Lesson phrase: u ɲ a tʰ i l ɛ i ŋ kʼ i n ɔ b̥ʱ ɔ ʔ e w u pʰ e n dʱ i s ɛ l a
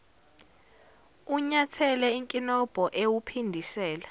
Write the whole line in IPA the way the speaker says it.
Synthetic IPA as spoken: u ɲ a tʰ ɛ l ɛ i ŋ kʼ i n ɔ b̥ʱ ɔ ʔ e w u pʰ i n dʱ i s ɛː l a